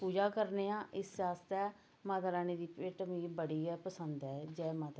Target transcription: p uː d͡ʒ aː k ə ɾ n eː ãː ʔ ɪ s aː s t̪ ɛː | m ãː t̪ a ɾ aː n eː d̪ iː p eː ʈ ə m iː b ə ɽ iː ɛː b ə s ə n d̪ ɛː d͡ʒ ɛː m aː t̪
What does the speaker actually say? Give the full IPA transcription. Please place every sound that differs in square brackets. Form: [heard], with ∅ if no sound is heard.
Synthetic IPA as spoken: p uː d͡ʒ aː k ə ɾ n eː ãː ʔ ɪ s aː s t̪ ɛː | m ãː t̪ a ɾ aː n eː d̪ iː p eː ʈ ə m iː b ə ɽ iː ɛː [p] ə s ə n d̪ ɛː d͡ʒ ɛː m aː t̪